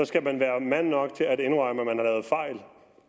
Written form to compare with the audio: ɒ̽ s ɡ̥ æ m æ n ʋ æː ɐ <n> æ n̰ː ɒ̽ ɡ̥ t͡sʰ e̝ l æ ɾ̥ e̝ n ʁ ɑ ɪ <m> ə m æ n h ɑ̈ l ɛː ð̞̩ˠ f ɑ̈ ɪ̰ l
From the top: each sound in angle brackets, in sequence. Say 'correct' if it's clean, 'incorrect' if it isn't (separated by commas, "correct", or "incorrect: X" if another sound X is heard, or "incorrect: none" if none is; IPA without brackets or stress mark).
incorrect: m, correct